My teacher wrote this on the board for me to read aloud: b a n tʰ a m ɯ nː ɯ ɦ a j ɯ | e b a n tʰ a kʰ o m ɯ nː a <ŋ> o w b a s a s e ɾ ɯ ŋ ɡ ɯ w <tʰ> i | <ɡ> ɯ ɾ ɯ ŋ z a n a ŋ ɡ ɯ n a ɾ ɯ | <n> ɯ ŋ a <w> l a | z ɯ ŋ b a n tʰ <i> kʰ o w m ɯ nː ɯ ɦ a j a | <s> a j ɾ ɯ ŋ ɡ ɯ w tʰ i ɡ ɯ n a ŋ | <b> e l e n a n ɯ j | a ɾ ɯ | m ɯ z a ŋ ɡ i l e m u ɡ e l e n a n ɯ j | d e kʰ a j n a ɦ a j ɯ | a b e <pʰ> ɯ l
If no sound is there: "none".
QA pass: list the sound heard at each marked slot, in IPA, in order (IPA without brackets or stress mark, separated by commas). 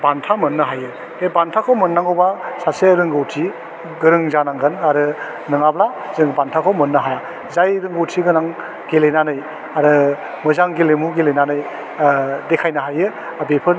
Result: ŋ, tʰ, ɡ, n, b, a, z, ɡ, pʰ